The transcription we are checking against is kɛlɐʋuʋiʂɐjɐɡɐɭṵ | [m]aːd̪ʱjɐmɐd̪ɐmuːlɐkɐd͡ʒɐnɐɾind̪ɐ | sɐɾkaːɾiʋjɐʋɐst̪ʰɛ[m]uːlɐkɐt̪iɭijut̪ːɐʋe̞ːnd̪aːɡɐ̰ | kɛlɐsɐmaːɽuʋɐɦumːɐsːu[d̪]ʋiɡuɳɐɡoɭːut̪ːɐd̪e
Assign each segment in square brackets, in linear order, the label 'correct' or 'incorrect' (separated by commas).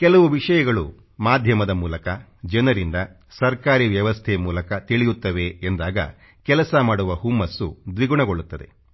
correct, correct, correct